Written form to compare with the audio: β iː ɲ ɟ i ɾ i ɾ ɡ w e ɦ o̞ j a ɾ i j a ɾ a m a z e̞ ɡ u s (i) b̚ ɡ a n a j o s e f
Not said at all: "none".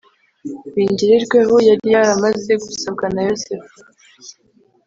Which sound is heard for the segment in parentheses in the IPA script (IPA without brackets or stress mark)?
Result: a